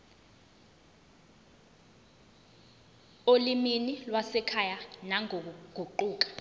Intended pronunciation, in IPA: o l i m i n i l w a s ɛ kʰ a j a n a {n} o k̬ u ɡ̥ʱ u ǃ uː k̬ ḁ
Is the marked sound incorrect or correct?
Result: incorrect